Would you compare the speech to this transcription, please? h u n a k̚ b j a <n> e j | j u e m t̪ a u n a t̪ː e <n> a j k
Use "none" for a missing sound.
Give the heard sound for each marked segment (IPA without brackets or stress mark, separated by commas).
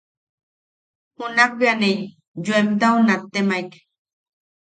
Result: n, m